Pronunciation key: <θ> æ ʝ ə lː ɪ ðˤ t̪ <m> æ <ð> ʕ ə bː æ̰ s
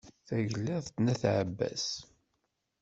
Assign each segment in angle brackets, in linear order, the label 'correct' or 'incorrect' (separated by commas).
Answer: correct, incorrect, incorrect